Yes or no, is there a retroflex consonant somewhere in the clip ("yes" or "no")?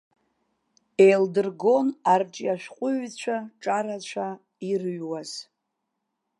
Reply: yes